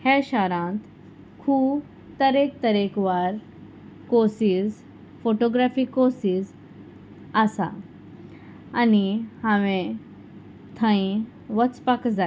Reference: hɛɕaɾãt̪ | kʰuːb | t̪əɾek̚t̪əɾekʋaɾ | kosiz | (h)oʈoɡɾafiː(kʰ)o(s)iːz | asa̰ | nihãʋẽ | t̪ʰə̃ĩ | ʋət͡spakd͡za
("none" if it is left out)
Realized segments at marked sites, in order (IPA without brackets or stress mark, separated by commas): f, k, s